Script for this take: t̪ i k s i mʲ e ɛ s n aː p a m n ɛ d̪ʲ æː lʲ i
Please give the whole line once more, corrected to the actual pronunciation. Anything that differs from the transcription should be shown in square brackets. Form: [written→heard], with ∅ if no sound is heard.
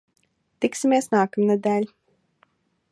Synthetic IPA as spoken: t̪ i k s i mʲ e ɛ s n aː [p→k] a m n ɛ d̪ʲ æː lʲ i